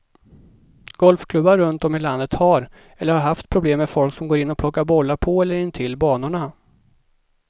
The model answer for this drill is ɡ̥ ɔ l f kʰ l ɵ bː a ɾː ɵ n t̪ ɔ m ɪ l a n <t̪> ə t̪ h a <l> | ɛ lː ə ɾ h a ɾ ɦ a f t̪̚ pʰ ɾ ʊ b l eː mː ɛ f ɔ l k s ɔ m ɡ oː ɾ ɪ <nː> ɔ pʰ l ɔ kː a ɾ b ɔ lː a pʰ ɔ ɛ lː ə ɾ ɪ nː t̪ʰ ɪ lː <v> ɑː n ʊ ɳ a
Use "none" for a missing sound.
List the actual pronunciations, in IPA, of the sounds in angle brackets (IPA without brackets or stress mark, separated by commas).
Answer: d̪, ɾ, nː, b